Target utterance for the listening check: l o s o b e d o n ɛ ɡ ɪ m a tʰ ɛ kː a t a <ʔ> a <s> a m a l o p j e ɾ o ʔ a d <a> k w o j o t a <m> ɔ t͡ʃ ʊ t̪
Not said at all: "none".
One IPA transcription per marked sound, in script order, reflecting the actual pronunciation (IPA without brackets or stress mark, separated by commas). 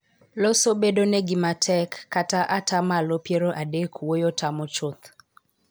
ʔ, t, e, m